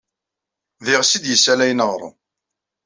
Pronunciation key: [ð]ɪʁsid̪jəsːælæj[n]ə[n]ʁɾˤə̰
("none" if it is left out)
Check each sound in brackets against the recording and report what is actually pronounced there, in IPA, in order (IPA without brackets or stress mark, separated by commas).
ð, n, none